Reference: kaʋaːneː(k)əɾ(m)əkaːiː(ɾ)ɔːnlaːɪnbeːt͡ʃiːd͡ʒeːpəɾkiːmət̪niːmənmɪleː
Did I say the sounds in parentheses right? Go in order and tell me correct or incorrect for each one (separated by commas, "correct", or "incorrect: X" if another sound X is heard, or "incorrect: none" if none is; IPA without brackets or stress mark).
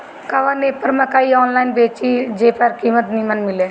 incorrect: p, correct, incorrect: none